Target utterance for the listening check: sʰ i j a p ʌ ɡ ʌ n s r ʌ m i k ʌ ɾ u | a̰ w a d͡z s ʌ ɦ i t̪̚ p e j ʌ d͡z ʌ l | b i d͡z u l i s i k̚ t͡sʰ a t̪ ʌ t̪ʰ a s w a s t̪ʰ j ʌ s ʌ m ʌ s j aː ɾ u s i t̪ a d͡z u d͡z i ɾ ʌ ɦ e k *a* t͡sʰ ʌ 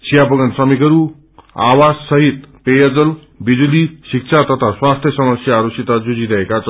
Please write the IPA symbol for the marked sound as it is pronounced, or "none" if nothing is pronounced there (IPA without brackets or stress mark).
a